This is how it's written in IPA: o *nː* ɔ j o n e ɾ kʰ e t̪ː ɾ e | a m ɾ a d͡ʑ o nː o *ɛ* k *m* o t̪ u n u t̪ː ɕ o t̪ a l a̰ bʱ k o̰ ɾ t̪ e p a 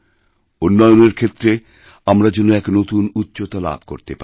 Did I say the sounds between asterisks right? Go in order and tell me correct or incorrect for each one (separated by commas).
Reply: correct, correct, incorrect